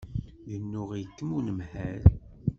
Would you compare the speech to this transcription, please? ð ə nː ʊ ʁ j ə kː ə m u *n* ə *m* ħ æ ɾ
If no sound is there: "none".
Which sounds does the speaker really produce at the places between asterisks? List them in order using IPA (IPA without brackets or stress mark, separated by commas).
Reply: n, m